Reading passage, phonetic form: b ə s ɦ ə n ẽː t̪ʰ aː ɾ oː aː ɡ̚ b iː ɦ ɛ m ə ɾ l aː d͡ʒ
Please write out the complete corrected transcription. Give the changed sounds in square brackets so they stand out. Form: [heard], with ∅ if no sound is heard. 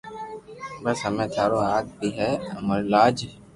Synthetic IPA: b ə s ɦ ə [m] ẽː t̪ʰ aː ɾ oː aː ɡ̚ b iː ɦ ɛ m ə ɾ l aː d͡ʒ